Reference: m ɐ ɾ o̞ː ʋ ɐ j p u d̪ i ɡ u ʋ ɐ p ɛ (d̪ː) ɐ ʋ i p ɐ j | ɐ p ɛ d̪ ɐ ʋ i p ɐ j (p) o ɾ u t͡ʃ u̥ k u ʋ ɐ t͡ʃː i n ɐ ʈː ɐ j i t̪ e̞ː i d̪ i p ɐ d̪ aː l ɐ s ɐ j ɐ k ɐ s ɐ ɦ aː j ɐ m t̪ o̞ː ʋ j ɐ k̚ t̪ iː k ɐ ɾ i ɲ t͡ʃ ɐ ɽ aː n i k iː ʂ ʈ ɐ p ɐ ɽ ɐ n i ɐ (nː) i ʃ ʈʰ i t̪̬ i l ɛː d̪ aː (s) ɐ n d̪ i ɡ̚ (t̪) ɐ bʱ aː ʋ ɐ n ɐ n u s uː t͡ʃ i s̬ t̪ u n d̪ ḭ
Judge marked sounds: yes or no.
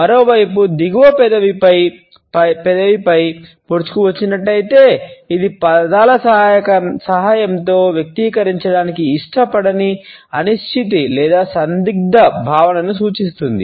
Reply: no, yes, no, yes, no

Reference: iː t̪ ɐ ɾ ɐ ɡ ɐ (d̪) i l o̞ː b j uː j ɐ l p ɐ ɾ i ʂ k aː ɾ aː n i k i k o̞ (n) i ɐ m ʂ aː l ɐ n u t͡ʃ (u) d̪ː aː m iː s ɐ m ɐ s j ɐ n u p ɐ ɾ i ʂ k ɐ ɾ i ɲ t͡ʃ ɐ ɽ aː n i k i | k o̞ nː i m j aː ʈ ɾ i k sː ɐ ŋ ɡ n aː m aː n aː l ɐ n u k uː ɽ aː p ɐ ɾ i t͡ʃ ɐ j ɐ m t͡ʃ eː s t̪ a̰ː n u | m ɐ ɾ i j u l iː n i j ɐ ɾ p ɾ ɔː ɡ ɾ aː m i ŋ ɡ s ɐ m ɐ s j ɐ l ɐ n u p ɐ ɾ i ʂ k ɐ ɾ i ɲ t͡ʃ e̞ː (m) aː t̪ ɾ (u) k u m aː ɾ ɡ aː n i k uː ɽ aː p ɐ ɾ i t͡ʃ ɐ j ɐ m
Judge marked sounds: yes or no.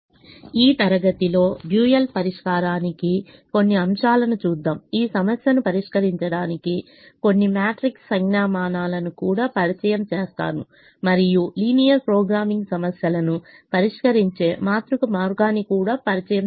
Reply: no, no, no, yes, yes

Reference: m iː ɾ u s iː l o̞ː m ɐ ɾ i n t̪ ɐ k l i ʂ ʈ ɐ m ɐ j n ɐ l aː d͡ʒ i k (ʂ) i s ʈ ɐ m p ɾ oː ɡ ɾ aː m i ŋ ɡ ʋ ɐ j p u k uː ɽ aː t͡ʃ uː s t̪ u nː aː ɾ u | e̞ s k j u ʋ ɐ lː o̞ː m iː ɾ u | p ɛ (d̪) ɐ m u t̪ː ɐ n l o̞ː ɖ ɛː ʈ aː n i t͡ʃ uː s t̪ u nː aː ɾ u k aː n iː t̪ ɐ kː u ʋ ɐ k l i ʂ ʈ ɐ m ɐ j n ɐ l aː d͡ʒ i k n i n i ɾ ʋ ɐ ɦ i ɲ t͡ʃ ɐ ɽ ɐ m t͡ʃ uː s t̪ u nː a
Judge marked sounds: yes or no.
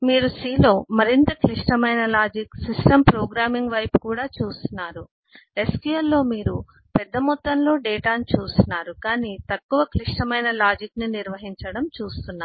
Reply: no, no

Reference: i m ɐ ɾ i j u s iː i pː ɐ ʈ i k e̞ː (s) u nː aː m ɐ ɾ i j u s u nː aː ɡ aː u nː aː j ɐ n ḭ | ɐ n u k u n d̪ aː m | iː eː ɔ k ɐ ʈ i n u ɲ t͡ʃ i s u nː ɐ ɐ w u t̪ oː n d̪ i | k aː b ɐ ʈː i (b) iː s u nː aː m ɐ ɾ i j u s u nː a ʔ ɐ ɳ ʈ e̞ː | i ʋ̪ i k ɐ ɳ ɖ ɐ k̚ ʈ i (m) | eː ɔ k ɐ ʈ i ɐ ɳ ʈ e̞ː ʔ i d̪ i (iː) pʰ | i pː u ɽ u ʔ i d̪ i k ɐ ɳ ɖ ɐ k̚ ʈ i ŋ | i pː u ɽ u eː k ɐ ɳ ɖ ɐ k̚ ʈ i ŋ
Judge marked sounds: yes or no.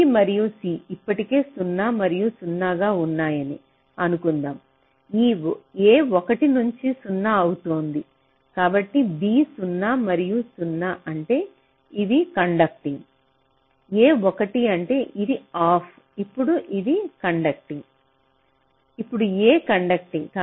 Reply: yes, yes, no, no

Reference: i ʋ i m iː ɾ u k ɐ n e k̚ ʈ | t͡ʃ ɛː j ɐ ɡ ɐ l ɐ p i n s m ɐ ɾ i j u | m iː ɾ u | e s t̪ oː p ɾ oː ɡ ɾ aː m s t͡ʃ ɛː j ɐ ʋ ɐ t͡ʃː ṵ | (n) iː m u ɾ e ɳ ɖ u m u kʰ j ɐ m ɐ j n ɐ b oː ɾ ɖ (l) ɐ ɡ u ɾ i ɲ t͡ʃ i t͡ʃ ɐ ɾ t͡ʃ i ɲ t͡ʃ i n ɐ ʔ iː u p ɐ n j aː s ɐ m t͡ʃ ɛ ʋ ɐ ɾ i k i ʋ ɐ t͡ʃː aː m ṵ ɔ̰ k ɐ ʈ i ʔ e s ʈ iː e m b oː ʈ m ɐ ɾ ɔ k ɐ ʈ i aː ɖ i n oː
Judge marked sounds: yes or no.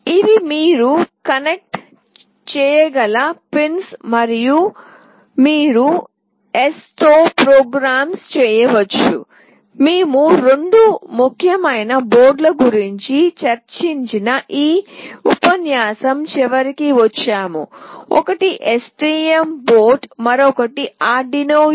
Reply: no, yes

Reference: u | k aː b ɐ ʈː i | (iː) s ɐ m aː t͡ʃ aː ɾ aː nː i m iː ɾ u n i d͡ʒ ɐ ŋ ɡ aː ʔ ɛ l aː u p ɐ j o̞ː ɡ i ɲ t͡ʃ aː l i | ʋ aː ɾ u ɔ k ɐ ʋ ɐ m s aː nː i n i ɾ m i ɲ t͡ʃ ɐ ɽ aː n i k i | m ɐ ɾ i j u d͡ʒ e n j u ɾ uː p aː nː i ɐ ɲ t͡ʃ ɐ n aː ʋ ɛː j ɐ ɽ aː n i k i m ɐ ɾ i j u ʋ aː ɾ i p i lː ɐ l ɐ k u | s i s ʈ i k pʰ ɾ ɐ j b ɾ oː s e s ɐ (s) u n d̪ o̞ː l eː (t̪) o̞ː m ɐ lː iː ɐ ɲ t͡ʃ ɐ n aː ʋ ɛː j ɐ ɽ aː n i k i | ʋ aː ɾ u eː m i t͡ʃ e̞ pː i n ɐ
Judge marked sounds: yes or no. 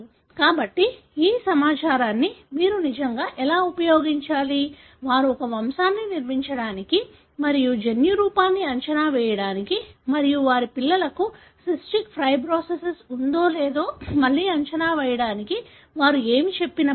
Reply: yes, yes, no

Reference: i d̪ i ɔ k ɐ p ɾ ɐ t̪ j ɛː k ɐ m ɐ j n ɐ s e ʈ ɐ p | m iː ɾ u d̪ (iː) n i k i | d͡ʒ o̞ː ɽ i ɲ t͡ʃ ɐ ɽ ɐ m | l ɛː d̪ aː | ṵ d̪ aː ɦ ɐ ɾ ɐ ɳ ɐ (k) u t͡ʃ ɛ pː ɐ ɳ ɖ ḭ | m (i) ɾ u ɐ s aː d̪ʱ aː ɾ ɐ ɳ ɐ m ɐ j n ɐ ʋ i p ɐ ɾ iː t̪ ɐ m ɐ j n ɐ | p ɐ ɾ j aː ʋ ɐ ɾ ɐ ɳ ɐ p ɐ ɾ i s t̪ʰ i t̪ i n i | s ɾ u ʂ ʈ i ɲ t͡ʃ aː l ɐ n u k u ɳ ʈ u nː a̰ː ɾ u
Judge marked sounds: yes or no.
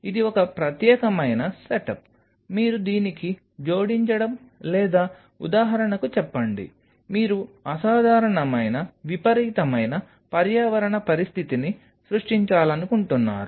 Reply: yes, yes, no

